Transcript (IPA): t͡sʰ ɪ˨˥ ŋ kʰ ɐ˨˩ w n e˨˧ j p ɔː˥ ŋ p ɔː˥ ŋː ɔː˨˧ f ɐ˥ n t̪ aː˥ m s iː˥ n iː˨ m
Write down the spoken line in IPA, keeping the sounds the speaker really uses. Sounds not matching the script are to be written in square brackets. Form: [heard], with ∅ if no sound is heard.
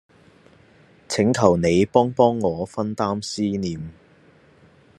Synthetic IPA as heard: t͡sʰ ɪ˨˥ ŋ kʰ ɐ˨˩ w n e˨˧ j p ɔː˥ ŋ p ɔː˥ ŋː ɔː˨˧ f ɐ˥ n t̪ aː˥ m s iː˥ n iː˨ m